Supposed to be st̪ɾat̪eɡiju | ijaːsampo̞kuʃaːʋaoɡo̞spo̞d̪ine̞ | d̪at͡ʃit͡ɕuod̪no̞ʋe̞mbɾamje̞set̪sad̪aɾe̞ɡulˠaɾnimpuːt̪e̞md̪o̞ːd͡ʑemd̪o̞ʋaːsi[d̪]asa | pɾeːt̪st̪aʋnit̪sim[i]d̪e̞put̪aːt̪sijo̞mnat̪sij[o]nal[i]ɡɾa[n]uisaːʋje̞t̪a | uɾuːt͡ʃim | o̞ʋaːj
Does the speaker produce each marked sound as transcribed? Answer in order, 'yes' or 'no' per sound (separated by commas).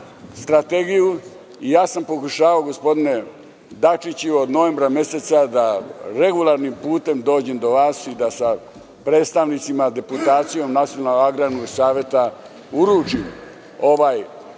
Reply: yes, no, yes, no, yes